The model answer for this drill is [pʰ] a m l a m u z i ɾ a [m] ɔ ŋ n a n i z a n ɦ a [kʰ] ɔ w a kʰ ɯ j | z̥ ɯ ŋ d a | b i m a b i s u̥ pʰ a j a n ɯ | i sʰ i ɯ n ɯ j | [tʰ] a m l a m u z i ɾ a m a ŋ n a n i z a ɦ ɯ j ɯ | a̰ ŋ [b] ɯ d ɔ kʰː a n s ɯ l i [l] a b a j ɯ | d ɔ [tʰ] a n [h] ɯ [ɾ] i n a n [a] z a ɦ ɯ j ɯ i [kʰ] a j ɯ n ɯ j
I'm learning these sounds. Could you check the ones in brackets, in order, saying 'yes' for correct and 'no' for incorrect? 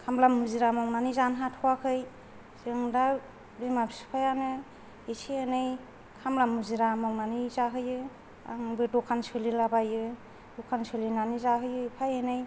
no, yes, no, no, yes, yes, no, no, no, no, no

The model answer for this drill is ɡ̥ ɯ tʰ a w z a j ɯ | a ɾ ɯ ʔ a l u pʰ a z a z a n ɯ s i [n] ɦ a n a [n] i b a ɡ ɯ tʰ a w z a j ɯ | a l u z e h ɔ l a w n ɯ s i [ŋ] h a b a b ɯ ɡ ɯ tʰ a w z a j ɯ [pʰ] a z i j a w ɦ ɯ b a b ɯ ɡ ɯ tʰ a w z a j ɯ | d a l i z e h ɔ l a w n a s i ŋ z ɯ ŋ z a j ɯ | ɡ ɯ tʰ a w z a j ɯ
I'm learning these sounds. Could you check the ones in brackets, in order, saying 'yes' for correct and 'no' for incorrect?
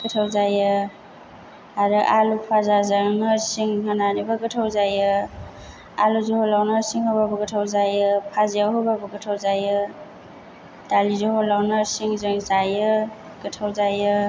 no, yes, yes, yes

